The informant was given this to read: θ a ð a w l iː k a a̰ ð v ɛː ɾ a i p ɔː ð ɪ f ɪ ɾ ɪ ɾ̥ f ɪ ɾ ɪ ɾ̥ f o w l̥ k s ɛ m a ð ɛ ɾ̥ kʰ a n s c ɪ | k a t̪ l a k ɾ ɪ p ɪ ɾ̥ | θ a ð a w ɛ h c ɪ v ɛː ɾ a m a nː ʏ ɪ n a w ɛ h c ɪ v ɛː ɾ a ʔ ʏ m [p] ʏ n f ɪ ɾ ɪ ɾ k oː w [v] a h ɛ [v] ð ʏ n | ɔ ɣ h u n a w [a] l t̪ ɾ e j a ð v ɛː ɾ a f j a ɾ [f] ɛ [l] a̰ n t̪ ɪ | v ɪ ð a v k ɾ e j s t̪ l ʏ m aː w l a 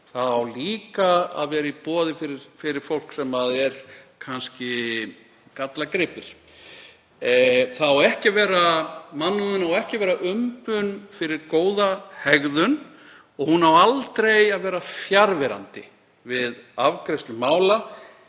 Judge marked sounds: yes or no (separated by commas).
yes, no, no, yes, no, no